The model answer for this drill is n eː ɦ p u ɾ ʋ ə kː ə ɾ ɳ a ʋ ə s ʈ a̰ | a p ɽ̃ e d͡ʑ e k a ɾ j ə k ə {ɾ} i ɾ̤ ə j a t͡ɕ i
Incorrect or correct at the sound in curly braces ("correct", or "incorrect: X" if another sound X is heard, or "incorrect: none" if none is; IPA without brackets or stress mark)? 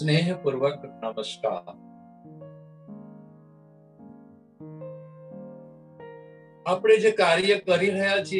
correct